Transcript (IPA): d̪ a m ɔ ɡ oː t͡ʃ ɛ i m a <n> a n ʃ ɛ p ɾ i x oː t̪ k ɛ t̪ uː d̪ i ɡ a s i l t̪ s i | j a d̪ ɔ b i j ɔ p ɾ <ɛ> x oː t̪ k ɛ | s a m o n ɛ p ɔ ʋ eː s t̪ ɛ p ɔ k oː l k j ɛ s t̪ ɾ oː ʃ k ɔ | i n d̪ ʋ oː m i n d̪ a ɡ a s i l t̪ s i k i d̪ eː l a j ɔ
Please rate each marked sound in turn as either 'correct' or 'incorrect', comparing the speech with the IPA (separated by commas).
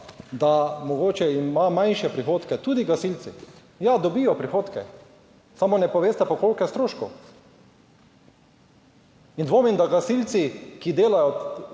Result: incorrect, incorrect